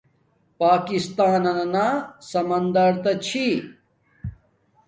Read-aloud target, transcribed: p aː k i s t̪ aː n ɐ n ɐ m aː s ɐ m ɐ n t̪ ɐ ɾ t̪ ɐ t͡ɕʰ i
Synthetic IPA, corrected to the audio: p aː k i s t̪ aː n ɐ n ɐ n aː s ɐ m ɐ n d̪ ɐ ɾ t̪ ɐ t͡ɕʰ i

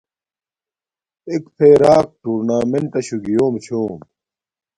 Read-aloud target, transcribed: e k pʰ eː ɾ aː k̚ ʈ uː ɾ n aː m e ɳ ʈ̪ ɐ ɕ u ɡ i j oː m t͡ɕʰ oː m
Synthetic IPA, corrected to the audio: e k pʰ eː ɾ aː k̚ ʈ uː ɾ n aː m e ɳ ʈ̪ ɐ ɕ u ɡ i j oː m t͡ɕʰ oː m

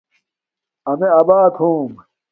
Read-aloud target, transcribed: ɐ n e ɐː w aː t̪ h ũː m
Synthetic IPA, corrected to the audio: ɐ m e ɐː b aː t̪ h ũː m

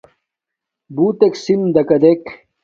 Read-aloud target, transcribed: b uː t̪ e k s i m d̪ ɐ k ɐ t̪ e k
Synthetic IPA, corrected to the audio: b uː t̪ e k s i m d̪ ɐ k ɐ d̪ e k

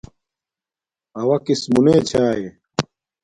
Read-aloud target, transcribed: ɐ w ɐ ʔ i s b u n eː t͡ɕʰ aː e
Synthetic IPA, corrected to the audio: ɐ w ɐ k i s m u n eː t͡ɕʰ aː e

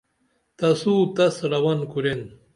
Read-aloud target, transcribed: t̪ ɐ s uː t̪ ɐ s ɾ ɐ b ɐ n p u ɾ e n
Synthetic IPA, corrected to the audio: t̪ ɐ s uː t̪ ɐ s ɾ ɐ w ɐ n k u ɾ e n

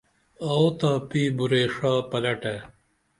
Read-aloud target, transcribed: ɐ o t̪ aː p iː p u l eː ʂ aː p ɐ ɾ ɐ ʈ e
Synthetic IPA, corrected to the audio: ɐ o t̪ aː p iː b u ɾ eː ʂ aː p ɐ l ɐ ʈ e

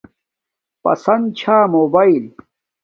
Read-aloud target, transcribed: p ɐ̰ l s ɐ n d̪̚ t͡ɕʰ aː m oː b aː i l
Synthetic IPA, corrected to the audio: p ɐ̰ s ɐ n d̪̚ t͡ɕʰ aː m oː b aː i l

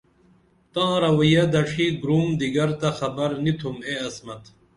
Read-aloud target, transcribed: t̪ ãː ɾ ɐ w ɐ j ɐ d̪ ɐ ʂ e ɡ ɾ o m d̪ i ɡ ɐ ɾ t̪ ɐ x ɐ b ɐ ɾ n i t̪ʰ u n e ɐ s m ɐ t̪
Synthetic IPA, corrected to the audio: t̪ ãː ɾ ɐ w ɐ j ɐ d̪ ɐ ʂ i ɡ ɾ u m d̪ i ɡ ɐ ɾ t̪ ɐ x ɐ b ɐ ɾ n i t̪ʰ u m e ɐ s m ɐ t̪

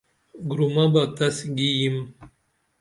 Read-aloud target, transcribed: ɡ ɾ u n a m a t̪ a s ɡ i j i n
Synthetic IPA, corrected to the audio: ɡ ɾ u m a b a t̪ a s ɡ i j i m

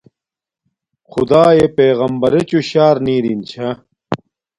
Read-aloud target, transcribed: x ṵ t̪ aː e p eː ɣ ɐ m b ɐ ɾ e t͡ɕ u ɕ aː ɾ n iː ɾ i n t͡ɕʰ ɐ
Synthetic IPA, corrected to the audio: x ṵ d̪ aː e p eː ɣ ɐ m b ɐ ɾ e t͡ɕ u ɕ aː ɾ n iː ɾ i n t͡ɕʰ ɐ

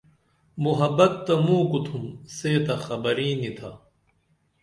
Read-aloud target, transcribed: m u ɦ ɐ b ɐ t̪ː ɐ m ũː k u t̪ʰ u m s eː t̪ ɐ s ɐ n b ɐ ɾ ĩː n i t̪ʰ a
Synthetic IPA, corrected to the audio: m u ɦ ɐ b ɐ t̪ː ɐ m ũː k u t̪ʰ u m s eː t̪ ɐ x ɐ b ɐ ɾ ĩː n i t̪ʰ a

